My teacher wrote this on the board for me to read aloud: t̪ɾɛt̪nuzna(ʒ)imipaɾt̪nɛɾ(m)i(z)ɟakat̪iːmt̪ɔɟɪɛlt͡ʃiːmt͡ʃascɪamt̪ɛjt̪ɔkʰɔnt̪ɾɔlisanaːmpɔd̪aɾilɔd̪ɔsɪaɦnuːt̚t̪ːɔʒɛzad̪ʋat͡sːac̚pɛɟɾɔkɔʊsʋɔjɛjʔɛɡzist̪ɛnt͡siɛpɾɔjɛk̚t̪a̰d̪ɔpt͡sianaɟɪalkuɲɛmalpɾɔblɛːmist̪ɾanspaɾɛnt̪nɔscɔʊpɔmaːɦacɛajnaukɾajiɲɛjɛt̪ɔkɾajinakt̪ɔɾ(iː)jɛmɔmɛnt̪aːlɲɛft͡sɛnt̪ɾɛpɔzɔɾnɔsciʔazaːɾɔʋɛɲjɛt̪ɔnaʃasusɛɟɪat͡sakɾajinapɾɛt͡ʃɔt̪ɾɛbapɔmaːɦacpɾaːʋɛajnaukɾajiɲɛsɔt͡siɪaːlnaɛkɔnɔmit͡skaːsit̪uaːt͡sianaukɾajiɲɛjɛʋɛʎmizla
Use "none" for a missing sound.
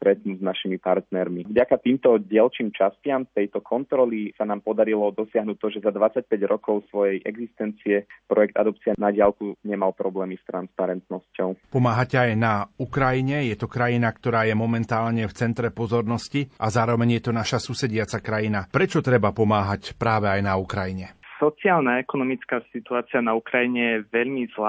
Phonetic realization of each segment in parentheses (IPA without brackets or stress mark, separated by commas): ʃ, m, v, aː